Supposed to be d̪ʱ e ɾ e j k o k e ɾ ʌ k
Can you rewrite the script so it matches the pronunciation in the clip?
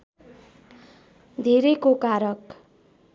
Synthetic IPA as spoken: d̪ʱ e ɾ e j k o k a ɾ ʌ k